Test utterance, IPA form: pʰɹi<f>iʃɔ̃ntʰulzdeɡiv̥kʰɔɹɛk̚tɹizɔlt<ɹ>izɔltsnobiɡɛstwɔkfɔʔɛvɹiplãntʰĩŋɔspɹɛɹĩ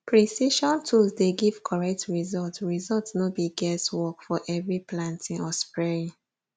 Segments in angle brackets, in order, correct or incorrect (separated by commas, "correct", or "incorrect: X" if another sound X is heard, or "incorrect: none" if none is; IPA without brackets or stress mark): incorrect: s, correct